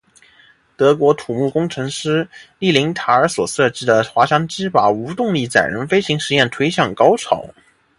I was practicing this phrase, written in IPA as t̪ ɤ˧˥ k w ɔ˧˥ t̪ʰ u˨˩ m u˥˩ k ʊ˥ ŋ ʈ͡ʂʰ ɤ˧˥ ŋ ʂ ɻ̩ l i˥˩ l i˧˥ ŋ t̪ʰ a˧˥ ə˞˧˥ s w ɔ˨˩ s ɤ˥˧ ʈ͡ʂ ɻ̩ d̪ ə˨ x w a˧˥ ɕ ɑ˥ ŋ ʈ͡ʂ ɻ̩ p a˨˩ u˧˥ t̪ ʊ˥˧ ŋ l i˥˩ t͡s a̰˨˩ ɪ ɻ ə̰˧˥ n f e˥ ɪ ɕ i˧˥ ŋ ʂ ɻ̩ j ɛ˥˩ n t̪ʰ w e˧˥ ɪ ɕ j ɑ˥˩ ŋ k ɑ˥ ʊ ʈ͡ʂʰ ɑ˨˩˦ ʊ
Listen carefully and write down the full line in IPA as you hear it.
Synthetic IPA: t̪ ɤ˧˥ k w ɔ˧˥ t̪ʰ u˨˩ m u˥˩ k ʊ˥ ŋ ʈ͡ʂʰ ɤ˧˥ ŋ ʂ ɻ̩ l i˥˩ l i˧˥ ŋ t̪ʰ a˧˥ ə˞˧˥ s w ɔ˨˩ s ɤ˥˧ ʈ͡ʂ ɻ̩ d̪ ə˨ x w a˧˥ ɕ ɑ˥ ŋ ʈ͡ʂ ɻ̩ p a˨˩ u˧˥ t̪ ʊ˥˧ ŋ l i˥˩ t͡s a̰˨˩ ɪ ɻ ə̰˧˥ n f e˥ ɪ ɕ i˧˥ ŋ ʂ ɻ̩ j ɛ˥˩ n t̪ʰ w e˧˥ ɪ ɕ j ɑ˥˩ ŋ k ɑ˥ ʊ ʈ͡ʂʰ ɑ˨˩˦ ʊ